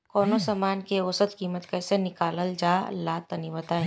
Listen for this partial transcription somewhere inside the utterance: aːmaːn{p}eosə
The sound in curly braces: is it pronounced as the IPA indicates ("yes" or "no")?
no